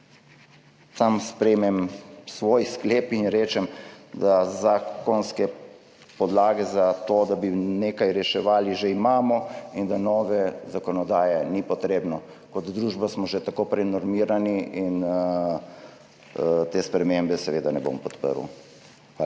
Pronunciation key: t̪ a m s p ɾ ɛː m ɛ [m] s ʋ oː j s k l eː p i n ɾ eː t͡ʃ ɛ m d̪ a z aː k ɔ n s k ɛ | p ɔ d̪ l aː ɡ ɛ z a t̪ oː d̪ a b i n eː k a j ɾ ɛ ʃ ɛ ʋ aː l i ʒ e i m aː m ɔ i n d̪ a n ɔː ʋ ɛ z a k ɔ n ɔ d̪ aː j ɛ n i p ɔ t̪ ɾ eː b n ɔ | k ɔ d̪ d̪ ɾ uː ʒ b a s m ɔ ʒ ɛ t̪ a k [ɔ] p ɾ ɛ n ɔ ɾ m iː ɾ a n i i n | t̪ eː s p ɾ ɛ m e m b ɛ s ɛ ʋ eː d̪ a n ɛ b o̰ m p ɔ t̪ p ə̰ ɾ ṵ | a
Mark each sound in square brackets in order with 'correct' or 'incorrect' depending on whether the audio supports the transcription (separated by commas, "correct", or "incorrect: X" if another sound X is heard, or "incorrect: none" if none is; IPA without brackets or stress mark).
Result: correct, incorrect: o